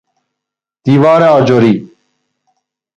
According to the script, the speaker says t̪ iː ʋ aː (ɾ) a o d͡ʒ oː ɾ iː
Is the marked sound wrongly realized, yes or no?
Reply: no